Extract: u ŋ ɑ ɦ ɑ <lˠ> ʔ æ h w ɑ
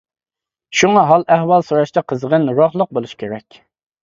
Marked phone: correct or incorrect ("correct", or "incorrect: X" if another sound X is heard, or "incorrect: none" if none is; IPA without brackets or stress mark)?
correct